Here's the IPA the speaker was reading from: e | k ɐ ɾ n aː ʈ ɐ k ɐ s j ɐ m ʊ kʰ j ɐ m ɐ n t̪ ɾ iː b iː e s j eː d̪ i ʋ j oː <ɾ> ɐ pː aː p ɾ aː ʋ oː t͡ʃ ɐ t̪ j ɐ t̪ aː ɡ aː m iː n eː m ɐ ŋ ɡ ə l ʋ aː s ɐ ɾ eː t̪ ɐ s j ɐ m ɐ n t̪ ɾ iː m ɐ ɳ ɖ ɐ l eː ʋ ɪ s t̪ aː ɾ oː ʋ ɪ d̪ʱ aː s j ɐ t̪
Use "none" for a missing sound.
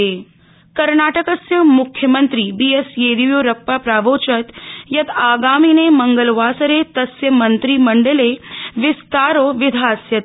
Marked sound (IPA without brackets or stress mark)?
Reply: ɾ